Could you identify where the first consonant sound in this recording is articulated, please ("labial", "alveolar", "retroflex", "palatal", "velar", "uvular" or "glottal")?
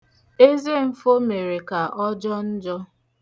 alveolar